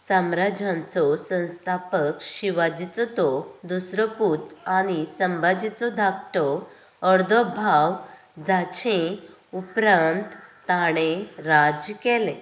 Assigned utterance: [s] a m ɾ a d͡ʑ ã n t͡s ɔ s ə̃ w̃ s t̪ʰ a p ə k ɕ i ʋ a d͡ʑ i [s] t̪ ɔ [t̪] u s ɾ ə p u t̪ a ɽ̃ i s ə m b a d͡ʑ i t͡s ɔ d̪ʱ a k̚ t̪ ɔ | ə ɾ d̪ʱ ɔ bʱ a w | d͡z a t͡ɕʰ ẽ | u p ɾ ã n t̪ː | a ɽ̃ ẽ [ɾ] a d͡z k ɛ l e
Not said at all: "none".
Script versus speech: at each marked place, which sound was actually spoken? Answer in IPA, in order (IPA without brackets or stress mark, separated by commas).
s, t͡s, d̪, ɾ